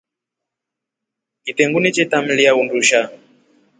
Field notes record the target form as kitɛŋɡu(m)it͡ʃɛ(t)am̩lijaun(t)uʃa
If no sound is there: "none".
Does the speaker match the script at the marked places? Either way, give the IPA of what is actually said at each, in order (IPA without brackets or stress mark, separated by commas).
n, t, d